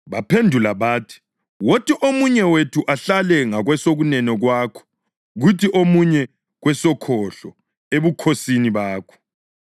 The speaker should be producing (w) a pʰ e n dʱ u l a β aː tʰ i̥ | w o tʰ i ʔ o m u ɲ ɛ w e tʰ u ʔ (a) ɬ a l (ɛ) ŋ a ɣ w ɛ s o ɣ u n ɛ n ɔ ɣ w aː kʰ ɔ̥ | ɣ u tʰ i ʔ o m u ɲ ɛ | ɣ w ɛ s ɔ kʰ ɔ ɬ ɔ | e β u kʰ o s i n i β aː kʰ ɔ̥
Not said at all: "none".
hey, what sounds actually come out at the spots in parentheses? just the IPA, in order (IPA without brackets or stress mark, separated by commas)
β, a, ɛ